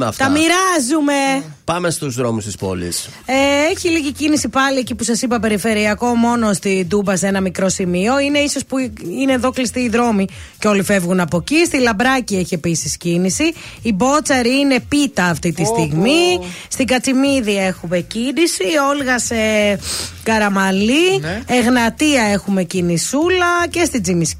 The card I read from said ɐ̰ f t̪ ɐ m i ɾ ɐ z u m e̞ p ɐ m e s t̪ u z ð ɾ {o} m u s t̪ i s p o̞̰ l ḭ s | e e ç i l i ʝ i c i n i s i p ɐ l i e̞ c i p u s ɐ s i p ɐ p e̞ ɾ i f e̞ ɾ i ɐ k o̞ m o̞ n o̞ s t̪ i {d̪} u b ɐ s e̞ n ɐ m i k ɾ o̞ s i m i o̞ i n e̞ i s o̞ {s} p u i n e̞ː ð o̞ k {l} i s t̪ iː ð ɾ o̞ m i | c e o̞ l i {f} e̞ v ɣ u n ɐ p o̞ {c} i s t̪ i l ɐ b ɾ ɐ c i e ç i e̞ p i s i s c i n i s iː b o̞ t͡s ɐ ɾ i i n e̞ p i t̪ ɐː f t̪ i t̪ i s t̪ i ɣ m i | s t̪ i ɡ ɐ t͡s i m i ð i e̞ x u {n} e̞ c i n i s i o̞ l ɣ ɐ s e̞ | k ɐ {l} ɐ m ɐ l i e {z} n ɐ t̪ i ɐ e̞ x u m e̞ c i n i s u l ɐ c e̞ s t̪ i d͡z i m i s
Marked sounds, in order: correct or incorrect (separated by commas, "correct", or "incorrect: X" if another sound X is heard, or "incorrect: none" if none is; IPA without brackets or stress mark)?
correct, correct, correct, correct, correct, correct, incorrect: m, incorrect: ɾ, incorrect: ɣ